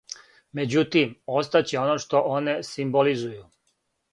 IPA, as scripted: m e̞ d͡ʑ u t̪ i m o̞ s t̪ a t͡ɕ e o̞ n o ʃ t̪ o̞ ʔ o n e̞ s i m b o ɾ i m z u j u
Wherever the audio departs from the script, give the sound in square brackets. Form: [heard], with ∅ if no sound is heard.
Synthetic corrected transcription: m e̞ d͡ʑ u t̪ i m o̞ s t̪ a t͡ɕ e o̞ n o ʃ t̪ o̞ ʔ o n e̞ s i m b o [l] i [∅] z u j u